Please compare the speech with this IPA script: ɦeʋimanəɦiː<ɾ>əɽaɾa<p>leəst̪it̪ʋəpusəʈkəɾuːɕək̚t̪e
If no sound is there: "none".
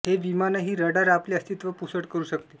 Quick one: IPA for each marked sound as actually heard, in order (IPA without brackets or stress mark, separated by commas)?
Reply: ɾ, p